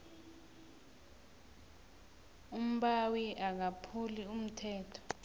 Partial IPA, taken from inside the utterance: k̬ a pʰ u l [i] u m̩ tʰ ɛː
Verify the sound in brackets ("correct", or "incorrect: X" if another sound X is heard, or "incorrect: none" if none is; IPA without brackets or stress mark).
correct